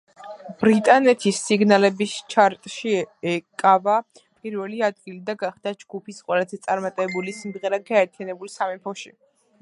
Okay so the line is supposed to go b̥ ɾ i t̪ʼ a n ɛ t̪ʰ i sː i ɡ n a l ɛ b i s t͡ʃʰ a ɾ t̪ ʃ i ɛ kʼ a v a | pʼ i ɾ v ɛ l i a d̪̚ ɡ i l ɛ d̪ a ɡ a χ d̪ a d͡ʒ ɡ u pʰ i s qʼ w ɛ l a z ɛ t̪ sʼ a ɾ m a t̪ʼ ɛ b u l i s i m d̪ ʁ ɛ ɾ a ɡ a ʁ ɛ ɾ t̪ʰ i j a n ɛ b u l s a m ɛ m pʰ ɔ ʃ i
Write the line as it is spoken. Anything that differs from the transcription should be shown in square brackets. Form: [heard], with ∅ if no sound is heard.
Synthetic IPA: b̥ ɾ i t̪ʼ a n ɛ t̪ʰ i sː i ɡ n a l ɛ b i s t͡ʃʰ a ɾ [t̪ʼ] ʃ i ɛ kʼ a v a | pʼ i ɾ v ɛ l i a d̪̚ ɡ i l [i] d̪ a ɡ a χ d̪ a d͡ʒ ɡ u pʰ i s qʼ w ɛ l a z ɛ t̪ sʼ a ɾ m a t̪ʼ ɛ b u l i s i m d̪ ʁ ɛ ɾ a ɡ a [∅] ɛ ɾ t̪ʰ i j a n ɛ b u l s a m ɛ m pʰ ɔ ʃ i